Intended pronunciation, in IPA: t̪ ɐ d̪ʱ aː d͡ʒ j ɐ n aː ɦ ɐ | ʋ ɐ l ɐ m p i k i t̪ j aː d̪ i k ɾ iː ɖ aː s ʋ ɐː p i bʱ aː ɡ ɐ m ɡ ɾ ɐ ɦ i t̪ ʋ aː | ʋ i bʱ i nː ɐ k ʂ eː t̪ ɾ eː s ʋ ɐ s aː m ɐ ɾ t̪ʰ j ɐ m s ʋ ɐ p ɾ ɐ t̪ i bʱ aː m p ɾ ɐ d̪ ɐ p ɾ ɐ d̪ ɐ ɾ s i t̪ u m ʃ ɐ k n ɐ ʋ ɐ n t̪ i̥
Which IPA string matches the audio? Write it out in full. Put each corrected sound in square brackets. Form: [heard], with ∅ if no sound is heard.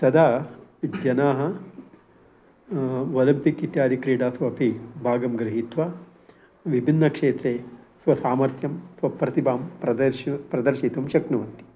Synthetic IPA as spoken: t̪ ɐ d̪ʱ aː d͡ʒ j ɐ n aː ɦ ɐ | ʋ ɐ l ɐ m p i k i t̪ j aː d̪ i k ɾ iː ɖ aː s ʋ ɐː p i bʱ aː ɡ ɐ m ɡ ɾ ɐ ɦ i t̪ ʋ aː | ʋ i bʱ i nː ɐ k ʂ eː t̪ ɾ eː s ʋ ɐ s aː m ɐ ɾ t̪ʰ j ɐ m s ʋ ɐ p ɾ ɐ t̪ i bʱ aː m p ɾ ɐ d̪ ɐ p ɾ ɐ d̪ ɐ ɾ [ʃ] i t̪ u m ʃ ɐ k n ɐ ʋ ɐ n t̪ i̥